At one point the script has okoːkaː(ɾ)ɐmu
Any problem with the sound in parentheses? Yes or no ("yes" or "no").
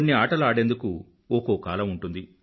yes